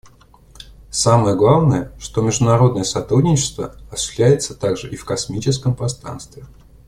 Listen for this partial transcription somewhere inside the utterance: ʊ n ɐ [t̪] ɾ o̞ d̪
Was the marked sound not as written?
yes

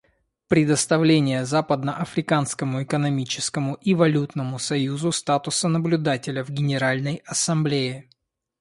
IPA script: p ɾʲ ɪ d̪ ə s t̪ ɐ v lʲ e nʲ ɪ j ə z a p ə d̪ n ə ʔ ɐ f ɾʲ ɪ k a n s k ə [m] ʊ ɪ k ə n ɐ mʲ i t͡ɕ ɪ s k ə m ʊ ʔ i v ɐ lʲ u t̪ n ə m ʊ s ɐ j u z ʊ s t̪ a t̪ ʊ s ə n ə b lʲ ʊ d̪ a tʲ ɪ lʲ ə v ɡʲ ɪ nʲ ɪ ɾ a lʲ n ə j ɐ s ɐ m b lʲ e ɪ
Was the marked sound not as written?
no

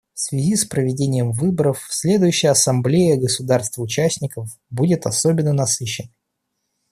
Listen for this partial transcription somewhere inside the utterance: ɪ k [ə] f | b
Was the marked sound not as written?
no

